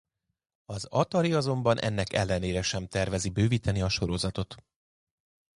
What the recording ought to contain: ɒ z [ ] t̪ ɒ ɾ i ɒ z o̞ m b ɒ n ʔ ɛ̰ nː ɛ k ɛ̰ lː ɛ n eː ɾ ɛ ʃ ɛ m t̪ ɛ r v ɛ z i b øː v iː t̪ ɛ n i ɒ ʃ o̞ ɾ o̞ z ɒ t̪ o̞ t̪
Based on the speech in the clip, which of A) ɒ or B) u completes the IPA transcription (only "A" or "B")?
A